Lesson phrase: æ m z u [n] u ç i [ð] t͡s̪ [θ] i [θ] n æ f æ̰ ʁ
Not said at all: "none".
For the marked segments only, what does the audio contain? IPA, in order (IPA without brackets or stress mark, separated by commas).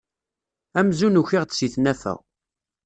n, ʁ, s, θ